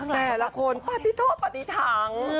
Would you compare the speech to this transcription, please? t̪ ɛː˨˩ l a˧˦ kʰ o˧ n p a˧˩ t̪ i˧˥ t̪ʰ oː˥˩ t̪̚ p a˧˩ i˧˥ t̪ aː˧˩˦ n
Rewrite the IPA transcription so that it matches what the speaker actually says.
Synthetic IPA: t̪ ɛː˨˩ l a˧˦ kʰ o˧ n p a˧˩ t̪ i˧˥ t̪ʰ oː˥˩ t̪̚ p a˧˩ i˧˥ t̪ʰ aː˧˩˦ ŋ